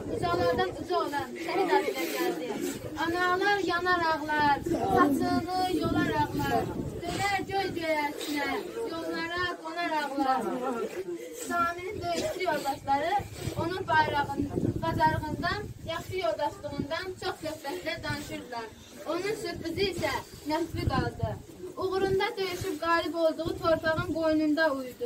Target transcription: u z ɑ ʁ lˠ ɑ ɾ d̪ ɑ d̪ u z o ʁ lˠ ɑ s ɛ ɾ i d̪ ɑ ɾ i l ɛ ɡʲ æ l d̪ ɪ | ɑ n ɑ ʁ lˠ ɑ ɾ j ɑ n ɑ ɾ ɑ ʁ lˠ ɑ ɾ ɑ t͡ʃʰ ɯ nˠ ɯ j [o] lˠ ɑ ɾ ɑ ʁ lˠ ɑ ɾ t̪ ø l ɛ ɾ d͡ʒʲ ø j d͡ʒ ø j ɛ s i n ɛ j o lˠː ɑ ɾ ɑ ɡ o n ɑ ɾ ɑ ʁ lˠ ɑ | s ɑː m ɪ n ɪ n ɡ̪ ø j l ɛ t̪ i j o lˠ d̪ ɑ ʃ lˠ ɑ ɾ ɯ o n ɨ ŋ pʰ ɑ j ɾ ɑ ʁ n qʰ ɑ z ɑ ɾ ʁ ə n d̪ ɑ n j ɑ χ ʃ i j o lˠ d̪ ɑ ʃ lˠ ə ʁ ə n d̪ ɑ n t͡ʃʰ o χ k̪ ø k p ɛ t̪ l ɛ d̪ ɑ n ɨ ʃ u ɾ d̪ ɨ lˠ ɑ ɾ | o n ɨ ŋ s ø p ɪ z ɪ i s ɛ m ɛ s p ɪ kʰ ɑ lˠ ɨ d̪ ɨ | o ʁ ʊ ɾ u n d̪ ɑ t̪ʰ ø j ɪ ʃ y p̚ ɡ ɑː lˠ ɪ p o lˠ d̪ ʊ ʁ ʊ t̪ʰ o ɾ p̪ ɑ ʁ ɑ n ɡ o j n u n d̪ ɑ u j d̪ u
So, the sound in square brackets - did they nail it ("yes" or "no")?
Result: yes